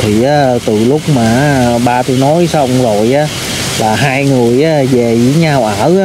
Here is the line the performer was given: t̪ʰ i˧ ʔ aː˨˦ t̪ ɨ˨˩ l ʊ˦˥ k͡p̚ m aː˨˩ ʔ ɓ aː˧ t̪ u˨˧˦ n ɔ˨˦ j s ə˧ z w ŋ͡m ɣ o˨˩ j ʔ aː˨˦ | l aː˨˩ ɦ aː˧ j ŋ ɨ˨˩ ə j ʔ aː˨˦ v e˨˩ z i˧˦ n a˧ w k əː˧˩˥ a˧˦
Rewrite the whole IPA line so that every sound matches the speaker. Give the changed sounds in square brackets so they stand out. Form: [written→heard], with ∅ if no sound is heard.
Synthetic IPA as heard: t̪ʰ [i˧→i˨˩] ʔ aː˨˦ t̪ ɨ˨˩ l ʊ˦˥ k͡p̚ m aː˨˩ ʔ ɓ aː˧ t̪ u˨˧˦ n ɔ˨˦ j s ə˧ [z→∅] w ŋ͡m [ɣ→z] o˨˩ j ʔ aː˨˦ | l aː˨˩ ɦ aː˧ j ŋ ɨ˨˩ ə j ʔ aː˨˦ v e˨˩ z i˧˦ [n→ɲ] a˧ w [k→ʔ] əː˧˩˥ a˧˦

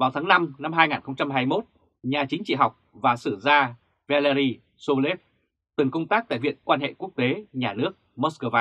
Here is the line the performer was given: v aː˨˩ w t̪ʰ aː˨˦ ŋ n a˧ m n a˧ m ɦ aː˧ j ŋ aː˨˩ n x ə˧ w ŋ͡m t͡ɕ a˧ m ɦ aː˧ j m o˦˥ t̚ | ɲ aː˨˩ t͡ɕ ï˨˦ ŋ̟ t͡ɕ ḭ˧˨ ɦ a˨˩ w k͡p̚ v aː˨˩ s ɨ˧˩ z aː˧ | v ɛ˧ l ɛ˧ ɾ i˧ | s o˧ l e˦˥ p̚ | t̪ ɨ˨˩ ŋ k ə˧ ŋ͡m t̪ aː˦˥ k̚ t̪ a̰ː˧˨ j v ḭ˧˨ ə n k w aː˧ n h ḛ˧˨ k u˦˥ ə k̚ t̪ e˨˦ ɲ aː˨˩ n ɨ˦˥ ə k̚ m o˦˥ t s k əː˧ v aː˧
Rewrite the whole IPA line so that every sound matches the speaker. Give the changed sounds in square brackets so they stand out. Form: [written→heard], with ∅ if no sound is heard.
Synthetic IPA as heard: v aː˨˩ w t̪ʰ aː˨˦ ŋ n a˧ m n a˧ m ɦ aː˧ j ŋ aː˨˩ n x ə˧ w ŋ͡m t͡ɕ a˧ m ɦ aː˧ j m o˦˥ t̚ | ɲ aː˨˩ t͡ɕ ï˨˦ ŋ̟ t͡ɕ ḭ˧˨ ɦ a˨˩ w k͡p̚ v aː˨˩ s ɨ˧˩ z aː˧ | v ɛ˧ l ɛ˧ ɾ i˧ | s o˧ l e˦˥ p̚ | t̪ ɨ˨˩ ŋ k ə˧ ŋ͡m t̪ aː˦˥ k̚ t̪ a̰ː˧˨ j v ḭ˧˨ ə n k w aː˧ n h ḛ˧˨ k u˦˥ ə k̚ t̪ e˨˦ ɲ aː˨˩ n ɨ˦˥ ə k̚ m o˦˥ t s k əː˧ v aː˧

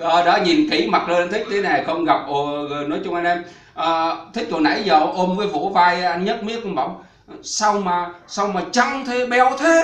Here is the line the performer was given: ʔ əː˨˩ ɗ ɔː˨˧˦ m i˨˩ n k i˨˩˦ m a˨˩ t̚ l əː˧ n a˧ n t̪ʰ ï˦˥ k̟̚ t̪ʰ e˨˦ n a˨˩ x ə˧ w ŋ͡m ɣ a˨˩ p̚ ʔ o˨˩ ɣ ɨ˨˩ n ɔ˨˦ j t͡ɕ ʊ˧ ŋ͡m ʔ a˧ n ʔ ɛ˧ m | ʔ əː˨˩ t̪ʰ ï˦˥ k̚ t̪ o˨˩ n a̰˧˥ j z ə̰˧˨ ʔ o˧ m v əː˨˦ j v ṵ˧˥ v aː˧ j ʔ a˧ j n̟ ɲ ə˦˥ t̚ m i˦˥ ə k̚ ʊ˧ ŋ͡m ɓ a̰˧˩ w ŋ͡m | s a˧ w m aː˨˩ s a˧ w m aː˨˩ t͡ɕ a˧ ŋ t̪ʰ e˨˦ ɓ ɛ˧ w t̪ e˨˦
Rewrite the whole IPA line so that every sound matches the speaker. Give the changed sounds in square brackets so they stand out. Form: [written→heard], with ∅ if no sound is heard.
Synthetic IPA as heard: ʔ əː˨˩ ɗ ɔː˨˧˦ [m→ɲ] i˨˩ n k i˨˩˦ m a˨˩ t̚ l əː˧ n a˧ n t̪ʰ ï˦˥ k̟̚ t̪ʰ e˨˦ n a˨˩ x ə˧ w ŋ͡m ɣ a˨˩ p̚ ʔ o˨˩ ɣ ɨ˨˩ n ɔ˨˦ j t͡ɕ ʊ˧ ŋ͡m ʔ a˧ n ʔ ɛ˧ m | ʔ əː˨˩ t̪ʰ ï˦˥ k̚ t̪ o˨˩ n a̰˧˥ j z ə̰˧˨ ʔ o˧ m v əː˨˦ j v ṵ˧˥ v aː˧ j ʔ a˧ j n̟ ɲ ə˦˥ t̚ m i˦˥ ə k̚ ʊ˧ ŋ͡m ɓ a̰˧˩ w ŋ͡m | s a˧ w m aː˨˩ s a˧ w m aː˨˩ t͡ɕ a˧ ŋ t̪ʰ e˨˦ ɓ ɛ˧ w [t̪→t̪ʰ] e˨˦

